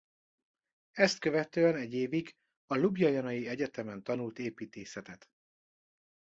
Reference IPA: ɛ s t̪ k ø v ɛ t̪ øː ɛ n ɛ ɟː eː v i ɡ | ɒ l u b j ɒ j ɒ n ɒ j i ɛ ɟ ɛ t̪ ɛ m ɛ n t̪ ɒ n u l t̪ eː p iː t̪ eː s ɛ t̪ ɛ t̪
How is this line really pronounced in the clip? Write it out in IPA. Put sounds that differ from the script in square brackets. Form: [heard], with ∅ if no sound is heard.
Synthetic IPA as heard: ɛ s t̪ k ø v ɛ t̪ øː ɛ n ɛ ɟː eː v i ɡ | ɒ l u b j ɒ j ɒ n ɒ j i ɛ ɟ ɛ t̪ ɛ m ɛ n t̪ ɒ n u l t̪ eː p iː t̪ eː s ɛ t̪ ɛ t̪

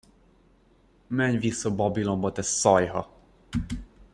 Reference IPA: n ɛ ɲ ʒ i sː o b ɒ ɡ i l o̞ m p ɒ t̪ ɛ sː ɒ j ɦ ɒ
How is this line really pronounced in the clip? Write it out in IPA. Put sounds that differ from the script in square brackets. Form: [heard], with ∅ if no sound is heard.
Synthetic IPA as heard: [m] ɛ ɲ [v] i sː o b ɒ [b] i l o̞ m [b] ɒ t̪ ɛ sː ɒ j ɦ ɒ

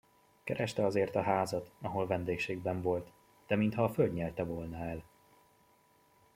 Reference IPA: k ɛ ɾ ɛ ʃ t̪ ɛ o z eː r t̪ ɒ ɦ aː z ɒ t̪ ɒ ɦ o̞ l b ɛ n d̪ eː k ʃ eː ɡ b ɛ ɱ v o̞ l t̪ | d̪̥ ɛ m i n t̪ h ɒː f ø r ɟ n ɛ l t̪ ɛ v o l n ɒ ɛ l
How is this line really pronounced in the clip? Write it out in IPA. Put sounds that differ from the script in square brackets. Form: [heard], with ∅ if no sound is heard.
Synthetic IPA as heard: k ɛ ɾ ɛ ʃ t̪ ɛ [ɒ] z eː r t̪ ɒ ɦ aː z ɒ t̪ ɒ ɦ o̞ l [v] ɛ n d̪ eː k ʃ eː ɡ b ɛ ɱ v o̞ l t̪ | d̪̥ ɛ m i n t̪ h ɒː f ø [l] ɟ [ɲ] ɛ l t̪ ɛ v o l n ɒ ɛ l

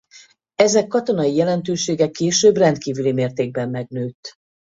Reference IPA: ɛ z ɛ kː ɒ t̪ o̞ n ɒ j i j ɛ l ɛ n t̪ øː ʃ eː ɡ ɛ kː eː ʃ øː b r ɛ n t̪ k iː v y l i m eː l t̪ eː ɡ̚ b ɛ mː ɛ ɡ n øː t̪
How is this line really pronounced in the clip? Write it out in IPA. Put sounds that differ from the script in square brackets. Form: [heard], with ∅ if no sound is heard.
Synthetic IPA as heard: ɛ z ɛ kː ɒ t̪ o̞ n ɒ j i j ɛ l ɛ n t̪ øː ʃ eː ɡ ɛ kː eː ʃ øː b r ɛ n t̪ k iː v y l i m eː [r] t̪ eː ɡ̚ b ɛ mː ɛ ɡ n øː t̪

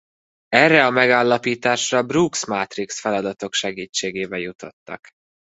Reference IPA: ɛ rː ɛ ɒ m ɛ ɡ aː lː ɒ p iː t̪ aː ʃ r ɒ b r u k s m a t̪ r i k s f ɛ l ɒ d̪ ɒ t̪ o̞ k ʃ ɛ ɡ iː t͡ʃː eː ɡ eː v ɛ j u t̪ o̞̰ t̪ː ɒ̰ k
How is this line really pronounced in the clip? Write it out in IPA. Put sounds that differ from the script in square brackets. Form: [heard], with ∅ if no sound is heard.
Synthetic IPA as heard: ɛ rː ɛ ɒ m ɛ ɡ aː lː ɒ p iː t̪ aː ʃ r ɒ b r u k s m a t̪ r i k s f ɛ l ɒ d̪ ɒ t̪ o̞ k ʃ ɛ ɡ iː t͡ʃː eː ɡ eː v ɛ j u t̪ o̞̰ t̪ː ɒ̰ k

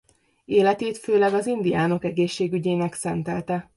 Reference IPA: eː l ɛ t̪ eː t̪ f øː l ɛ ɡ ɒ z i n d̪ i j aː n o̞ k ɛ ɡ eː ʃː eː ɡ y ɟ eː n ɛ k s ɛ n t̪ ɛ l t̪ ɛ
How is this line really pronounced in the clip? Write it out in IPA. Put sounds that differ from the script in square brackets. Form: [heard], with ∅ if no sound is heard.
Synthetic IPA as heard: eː l ɛ t̪ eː t̪ f øː l ɛ ɡ ɒ z i n d̪ i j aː n o̞ k ɛ ɡ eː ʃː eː ɡ y ɟ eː n ɛ k s ɛ n t̪ ɛ l t̪ ɛ

